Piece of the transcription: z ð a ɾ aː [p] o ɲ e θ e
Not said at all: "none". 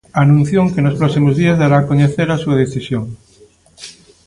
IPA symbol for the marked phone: k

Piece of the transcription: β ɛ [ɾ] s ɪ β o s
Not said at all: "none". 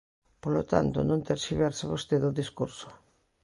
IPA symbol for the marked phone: ɾ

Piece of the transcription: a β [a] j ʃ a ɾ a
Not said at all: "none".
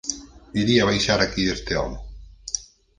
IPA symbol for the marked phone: a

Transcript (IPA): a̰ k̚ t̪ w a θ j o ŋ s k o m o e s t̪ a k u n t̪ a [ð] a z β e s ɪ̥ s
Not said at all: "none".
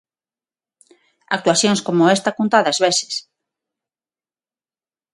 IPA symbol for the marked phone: ð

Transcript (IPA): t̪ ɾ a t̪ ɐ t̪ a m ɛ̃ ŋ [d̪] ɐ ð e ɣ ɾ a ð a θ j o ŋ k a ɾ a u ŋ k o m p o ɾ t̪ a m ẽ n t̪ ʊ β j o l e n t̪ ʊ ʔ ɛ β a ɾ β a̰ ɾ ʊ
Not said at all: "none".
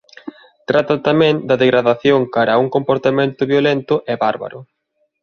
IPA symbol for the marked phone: d̪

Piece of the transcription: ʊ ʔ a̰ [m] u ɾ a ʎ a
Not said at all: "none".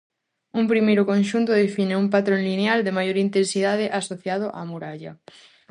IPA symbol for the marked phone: m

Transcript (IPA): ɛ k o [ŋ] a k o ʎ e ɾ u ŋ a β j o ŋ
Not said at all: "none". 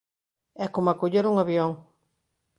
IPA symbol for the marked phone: m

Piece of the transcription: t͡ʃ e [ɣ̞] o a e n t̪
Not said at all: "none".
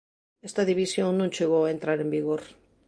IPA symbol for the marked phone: ɣ̞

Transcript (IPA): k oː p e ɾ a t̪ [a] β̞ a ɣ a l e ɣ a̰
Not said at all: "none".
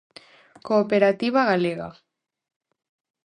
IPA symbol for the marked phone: i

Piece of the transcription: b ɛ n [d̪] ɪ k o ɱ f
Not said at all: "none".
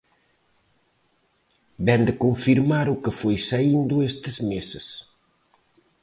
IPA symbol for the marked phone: d̪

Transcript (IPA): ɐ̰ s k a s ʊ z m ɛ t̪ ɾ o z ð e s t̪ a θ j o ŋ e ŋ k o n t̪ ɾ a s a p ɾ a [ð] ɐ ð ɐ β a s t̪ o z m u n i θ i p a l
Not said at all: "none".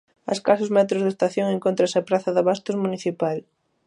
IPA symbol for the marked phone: θ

